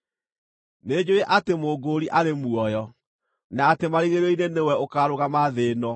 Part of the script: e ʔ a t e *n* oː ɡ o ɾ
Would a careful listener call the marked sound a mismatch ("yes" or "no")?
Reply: yes